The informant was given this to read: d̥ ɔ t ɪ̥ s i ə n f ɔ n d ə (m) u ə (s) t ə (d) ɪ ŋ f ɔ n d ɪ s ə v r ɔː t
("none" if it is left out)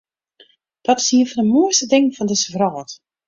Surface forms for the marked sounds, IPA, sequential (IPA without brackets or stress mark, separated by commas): m, s, d